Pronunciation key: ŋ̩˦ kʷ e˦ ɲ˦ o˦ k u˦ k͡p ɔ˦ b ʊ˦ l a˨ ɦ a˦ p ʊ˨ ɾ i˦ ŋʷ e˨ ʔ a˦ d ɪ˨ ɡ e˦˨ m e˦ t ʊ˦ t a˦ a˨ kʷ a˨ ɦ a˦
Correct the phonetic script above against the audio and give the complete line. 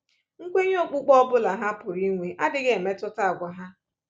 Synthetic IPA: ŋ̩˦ kʷ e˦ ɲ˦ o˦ k͡p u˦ k͡p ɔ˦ b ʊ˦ l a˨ ɦ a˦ p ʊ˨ ɾ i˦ ŋʷ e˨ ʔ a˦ d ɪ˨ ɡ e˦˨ m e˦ t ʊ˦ t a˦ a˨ ɡʷ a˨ ɦ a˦

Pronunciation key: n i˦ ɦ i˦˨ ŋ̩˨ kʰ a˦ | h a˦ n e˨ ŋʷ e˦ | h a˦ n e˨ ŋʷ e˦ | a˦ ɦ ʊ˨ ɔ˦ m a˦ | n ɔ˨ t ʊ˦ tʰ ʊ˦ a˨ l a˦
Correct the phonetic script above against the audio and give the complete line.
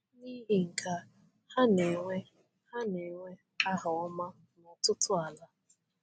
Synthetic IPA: n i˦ ɦ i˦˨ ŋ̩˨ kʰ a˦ | h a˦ n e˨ ŋʷ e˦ | h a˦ n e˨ ŋʷ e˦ | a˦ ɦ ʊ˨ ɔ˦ m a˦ | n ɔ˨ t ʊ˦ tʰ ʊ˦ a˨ l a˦

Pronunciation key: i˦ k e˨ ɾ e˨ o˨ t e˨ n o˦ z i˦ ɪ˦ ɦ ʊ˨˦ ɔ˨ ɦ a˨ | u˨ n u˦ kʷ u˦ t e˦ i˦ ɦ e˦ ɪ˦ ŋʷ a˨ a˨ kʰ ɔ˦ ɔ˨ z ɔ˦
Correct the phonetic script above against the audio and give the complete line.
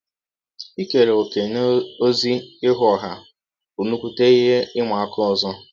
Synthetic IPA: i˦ k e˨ ɾ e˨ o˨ k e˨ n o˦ z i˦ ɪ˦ ɦ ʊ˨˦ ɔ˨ ɦ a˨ | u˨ n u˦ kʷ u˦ t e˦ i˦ ɦ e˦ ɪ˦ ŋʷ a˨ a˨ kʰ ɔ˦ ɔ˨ z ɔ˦

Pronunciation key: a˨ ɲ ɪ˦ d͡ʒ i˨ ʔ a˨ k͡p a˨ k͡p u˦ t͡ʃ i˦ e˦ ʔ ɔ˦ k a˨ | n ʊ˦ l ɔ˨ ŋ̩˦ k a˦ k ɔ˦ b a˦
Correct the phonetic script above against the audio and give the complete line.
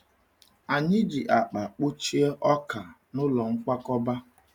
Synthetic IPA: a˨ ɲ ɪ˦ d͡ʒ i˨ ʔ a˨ k͡p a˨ k͡p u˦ t͡ʃ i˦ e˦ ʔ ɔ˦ k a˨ | n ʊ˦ l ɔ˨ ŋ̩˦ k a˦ k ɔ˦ b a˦

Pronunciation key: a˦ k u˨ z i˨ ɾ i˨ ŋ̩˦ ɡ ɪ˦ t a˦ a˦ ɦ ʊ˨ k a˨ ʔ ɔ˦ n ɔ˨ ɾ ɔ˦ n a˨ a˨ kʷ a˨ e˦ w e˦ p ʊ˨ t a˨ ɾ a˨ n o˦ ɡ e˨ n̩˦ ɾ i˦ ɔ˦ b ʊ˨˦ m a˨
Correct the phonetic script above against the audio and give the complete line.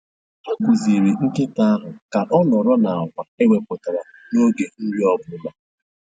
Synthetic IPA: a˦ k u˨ z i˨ ɾ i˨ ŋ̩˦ k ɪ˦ t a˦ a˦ ɦ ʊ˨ k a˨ ʔ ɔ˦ n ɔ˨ ɾ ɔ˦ n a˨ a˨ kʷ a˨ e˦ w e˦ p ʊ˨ t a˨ ɾ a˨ n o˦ ɡ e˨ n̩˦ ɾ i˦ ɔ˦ b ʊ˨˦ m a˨

